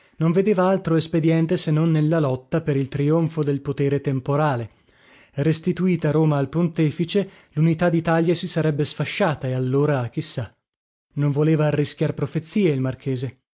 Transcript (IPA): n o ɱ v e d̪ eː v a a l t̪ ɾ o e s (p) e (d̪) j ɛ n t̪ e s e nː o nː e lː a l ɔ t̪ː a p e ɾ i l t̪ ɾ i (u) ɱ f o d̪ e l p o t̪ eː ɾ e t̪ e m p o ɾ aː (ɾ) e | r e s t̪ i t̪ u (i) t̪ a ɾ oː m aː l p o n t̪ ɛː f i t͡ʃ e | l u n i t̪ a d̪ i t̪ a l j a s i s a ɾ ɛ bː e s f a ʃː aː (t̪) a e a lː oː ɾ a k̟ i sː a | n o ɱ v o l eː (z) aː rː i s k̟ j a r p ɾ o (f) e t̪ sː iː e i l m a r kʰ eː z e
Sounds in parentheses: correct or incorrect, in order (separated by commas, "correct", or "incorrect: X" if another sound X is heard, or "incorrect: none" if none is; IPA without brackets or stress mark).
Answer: correct, correct, incorrect: o, incorrect: l, incorrect: iː, correct, incorrect: v, correct